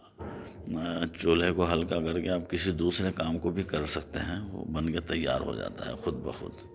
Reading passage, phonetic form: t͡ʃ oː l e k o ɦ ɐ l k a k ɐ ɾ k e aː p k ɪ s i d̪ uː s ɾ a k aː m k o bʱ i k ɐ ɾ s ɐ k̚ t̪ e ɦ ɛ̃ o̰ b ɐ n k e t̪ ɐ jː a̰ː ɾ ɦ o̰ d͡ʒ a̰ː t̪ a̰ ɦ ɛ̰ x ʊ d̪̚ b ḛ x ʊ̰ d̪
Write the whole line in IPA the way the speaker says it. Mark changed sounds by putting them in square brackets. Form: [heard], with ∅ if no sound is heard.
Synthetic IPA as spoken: t͡ʃ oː l e k o ɦ ɐ l k a k ɐ ɾ k e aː p k ɪ s i d̪ uː s ɾ [e] k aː m k o bʱ i k ɐ ɾ s ɐ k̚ t̪ e ɦ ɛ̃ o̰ b ɐ n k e t̪ ɐ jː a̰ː ɾ ɦ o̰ d͡ʒ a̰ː t̪ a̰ ɦ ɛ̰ x ʊ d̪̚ b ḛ x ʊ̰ d̪

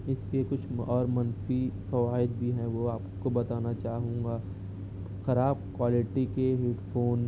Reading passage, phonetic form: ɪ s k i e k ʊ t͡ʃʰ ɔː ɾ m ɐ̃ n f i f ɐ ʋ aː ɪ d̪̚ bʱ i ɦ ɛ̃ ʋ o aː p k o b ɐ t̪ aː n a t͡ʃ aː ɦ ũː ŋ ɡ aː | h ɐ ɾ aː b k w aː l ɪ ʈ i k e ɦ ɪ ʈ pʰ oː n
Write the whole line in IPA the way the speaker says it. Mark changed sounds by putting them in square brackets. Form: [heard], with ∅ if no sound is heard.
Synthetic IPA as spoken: ɪ s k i e k ʊ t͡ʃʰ ɔː ɾ m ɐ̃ n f i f ɐ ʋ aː ɪ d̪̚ bʱ i ɦ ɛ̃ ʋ o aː p k o b ɐ t̪ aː n a t͡ʃ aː ɦ ũː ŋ ɡ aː | [x] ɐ ɾ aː b k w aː l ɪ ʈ i k e ɦ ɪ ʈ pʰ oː n

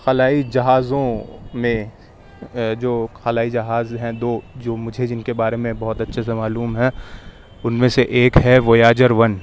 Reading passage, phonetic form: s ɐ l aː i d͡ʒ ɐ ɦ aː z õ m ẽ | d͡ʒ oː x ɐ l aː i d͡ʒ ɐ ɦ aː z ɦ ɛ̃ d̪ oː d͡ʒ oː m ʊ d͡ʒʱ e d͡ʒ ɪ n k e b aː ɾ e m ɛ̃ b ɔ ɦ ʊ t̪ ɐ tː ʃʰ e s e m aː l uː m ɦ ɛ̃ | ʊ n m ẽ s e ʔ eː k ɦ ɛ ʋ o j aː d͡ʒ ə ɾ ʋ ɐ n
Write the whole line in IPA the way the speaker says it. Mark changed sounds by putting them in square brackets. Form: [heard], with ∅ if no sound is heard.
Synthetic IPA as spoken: [x] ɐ l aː i d͡ʒ ɐ ɦ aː z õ m ẽ | d͡ʒ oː x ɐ l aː i d͡ʒ ɐ ɦ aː z ɦ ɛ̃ d̪ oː d͡ʒ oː m ʊ d͡ʒʱ e d͡ʒ ɪ n k e b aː ɾ e m [ẽ] b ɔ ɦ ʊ t̪ ɐ tː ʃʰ e s e m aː l uː m ɦ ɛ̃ | ʊ n m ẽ s e ʔ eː k ɦ ɛ ʋ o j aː d͡ʒ ə ɾ ʋ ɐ n

